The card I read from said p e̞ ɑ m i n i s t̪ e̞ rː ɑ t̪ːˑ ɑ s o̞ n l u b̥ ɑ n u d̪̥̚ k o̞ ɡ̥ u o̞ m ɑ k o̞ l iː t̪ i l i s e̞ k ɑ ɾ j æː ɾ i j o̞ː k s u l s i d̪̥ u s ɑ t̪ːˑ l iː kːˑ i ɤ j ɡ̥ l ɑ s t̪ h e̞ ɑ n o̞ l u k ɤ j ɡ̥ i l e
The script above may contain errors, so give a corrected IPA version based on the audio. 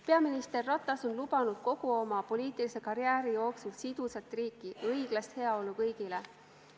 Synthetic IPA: p e̞ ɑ m i n i s t̪ e̞ rː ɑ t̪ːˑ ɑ s o̞ n l u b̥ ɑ n u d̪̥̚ k o̞ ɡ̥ u o̞ m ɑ p o̞ l iː t̪ i l i s e̞ k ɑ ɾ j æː ɾ i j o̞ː k s u l s i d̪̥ u s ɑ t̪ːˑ r iː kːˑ i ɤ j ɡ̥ l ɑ s t̪ h e̞ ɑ o̞ l u k ɤ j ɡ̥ i l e